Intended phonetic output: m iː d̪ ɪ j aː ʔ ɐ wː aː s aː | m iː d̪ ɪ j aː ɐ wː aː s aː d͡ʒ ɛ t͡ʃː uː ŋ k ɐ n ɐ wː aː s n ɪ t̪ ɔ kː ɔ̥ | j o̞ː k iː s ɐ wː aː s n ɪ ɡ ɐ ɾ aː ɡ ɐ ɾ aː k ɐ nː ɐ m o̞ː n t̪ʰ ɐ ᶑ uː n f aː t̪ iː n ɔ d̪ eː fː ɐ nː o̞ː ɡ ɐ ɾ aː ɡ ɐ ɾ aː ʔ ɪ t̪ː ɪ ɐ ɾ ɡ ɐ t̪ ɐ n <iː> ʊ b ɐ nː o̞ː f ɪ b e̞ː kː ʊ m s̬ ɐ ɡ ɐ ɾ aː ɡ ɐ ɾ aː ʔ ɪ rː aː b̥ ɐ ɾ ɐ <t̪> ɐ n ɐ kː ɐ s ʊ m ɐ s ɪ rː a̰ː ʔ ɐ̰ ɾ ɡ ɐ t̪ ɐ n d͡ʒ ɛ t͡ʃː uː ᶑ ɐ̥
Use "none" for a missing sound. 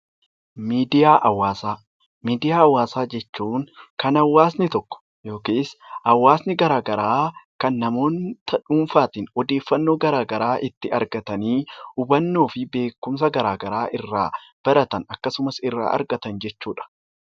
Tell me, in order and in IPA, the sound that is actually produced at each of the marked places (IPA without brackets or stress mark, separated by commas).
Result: iː, t̪